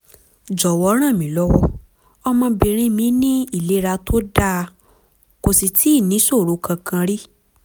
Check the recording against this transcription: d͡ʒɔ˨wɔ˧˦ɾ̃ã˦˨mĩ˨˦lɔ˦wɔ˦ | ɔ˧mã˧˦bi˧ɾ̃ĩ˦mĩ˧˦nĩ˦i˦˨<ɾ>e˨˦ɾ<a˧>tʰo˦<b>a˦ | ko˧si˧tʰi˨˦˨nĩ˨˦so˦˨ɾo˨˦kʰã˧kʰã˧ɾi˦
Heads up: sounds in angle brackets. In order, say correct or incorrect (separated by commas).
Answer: incorrect, correct, incorrect